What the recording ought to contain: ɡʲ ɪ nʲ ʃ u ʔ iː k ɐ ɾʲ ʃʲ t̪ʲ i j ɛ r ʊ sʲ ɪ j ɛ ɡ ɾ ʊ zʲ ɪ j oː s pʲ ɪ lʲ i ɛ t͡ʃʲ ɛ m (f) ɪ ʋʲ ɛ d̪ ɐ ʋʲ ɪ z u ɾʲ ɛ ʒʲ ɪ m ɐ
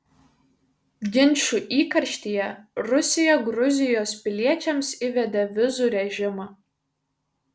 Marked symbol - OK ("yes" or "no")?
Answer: no